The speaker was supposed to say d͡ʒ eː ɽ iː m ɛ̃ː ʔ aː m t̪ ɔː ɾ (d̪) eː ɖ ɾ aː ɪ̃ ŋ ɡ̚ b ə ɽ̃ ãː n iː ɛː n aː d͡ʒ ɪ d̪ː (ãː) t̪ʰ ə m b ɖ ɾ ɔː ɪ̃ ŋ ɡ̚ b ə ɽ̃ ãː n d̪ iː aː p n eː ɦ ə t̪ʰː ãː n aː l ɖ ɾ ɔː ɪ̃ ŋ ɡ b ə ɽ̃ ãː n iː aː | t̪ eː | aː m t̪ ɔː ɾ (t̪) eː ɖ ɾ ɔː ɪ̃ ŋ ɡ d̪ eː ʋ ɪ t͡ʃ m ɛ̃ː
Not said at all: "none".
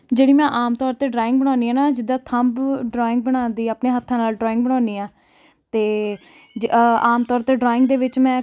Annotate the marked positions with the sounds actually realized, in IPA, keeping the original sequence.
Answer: t̪, aː, t̪

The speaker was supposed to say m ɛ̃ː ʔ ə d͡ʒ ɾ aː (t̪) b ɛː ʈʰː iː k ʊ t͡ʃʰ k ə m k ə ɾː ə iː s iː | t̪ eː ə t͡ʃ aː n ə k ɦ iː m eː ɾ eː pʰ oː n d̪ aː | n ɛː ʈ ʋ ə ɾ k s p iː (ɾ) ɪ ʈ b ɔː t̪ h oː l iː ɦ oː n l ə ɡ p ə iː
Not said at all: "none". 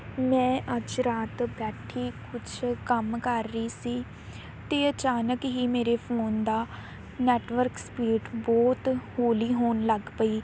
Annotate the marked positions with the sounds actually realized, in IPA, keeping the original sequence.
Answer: t̪, ɾ

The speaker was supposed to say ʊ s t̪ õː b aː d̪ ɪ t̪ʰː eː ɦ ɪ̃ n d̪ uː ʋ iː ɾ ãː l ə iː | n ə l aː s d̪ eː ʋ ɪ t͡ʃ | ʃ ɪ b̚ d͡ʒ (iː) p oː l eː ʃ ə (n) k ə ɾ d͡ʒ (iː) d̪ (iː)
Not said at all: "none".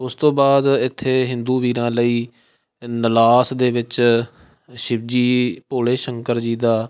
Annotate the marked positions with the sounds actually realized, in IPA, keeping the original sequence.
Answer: iː, ŋ, iː, aː

